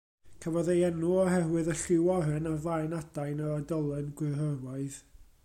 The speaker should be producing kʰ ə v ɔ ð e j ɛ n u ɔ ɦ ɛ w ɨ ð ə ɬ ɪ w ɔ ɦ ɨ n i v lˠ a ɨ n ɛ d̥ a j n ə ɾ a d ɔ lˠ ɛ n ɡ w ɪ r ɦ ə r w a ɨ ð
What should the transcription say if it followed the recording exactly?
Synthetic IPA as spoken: kʰ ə v ɔ ð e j ɛ n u ɔ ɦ ɛ w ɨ ð ə ɬ ɪ w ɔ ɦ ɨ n a v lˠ a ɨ n a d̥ a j n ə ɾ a d ɔ lˠ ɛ n ɡ w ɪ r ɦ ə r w a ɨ ð